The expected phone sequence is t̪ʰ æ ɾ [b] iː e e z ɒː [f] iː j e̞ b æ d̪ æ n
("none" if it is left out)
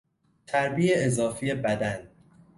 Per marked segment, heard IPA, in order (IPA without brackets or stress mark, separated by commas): b, f